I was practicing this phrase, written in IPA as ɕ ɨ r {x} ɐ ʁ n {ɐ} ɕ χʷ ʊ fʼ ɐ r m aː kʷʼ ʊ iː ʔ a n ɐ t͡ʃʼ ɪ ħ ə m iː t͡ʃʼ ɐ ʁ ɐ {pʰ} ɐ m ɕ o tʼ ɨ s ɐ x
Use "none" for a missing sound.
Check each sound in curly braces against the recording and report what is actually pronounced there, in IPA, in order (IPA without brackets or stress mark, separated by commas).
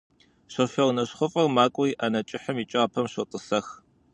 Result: f, ɐ, pʰ